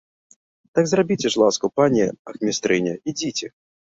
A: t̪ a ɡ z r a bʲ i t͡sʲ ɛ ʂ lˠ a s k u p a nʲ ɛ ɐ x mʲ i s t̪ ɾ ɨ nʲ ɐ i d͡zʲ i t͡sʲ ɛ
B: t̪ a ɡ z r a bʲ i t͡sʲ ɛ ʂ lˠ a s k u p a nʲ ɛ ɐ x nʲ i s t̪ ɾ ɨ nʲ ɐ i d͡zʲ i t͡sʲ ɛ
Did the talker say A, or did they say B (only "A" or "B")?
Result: A